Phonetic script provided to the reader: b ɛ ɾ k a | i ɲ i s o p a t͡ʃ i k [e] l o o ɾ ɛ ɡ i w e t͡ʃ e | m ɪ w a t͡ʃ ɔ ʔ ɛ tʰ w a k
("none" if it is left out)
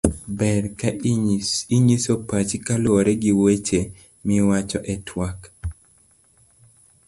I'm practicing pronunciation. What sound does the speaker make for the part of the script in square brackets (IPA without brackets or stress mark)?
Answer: a